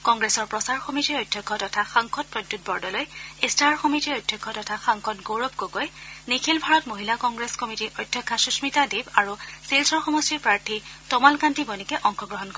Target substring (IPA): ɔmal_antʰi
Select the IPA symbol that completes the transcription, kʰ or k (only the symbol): k